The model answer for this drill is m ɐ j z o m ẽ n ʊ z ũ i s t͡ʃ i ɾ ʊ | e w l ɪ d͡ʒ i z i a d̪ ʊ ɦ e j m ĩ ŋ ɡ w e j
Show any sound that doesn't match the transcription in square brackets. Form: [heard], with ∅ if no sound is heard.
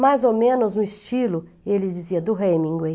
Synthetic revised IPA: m [a] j z o m ẽ n ʊ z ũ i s t͡ʃ i [l] ʊ | e [∅] l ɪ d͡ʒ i z i [ɐ] d̪ ʊ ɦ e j m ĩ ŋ ɡ w e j

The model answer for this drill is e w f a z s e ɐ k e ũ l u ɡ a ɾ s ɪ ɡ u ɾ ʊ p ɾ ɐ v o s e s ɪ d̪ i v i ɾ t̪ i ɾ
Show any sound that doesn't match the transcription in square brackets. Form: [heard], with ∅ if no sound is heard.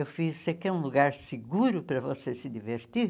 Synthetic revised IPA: e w f [i] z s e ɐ k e ũ l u ɡ a ɾ s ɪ ɡ u ɾ ʊ p ɾ ɐ v o s e s ɪ d̪ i v [e] ɾ t̪ i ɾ

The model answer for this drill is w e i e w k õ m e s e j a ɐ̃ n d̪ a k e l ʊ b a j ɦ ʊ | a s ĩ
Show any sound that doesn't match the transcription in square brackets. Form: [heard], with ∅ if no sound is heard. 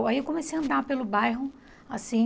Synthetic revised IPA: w [a] i e w k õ m e s e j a ɐ̃ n d̪ a [p] e l ʊ b a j ɦ ʊ | a s ĩ

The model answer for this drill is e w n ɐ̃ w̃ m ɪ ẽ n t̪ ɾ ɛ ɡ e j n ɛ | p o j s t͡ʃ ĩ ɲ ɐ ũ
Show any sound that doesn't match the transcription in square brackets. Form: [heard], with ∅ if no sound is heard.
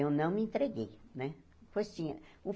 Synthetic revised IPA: e w n ɐ̃ w̃ m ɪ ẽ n t̪ ɾ [e] ɡ e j n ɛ | p o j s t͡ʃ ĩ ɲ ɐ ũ

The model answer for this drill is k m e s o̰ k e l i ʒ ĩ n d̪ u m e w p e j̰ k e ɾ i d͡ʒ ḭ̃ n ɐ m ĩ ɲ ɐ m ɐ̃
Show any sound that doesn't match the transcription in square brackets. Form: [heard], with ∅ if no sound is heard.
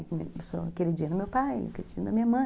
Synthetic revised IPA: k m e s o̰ k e [ɾ] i [d͡ʒ] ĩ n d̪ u m e w p [a] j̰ k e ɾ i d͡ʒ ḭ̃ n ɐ m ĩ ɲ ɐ m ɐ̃

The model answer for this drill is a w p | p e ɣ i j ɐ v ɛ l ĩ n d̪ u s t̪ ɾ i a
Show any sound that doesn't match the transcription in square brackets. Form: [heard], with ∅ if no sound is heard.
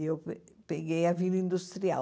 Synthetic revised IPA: [e] w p | p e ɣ [e] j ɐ v [i] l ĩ n d̪ u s t̪ ɾ i a

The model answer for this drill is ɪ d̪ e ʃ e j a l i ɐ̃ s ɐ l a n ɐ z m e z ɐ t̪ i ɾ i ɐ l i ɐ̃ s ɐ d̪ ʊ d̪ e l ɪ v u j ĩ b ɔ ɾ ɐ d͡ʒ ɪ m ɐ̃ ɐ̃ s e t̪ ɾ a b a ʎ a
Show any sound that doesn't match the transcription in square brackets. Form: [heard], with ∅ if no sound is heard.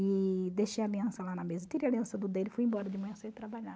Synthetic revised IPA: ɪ d̪ e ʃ e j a l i ɐ̃ s ɐ l a n ɐ [∅] m e z ɐ t̪ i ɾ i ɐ l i ɐ̃ s ɐ d̪ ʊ d̪ e l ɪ [f] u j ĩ b ɔ ɾ ɐ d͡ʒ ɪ m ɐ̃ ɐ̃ s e t̪ ɾ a b a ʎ a

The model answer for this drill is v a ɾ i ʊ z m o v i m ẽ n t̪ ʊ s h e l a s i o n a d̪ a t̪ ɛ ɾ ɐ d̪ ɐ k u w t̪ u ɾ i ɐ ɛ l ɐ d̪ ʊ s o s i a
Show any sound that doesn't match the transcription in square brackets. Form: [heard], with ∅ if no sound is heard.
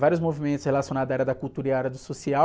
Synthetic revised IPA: v a ɾ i ʊ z m o v i m ẽ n t̪ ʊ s h e l a s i o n a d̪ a [∅] ɛ ɾ ɐ d̪ ɐ k u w t̪ u ɾ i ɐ ɛ [ɾ] ɐ d̪ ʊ s o s i a

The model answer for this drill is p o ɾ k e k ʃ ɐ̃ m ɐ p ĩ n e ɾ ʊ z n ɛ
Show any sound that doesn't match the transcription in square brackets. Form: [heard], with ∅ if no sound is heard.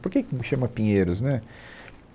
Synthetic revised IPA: p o ɾ k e k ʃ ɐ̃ m ɐ p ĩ [ɲ] e ɾ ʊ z n ɛ

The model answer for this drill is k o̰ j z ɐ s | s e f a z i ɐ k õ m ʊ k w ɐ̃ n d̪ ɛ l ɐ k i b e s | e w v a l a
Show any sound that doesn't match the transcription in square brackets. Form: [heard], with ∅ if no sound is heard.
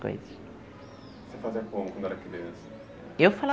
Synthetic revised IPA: k o̰ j z ɐ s | s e f a z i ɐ k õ m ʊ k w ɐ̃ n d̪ ɛ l ɐ k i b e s | e w [f] a l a

